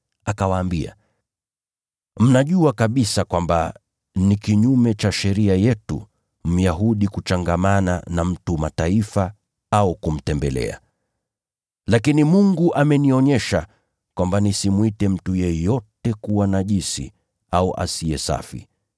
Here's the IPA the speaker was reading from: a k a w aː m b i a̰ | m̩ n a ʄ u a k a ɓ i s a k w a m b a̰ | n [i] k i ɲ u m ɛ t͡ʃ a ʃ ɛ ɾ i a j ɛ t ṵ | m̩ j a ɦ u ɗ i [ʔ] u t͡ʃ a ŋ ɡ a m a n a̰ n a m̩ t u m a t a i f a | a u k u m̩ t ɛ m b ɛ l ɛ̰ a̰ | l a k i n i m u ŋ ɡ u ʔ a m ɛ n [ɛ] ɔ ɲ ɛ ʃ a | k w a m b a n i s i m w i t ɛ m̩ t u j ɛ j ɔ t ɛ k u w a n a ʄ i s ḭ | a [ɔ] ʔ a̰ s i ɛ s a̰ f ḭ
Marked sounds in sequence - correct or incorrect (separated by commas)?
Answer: correct, incorrect, incorrect, incorrect